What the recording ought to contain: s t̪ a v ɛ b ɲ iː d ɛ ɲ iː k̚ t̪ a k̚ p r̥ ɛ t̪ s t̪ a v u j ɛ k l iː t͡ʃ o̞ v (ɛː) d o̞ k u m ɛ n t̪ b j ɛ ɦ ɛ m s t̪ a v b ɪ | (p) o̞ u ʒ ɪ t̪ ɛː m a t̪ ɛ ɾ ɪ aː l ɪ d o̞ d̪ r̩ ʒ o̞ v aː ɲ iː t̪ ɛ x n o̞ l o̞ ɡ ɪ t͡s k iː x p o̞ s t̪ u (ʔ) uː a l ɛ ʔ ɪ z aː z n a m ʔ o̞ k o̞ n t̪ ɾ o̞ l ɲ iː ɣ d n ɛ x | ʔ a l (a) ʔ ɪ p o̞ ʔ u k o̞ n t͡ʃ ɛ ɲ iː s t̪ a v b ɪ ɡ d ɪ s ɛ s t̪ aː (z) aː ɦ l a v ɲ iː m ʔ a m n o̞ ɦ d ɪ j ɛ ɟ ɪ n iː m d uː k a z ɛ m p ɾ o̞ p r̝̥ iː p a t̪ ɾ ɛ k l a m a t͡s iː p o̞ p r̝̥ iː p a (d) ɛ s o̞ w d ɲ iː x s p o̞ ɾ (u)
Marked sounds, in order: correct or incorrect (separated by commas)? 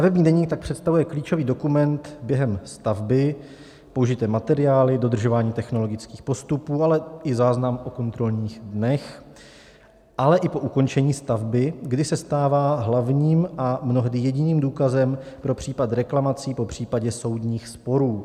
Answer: incorrect, correct, incorrect, incorrect, incorrect, incorrect, incorrect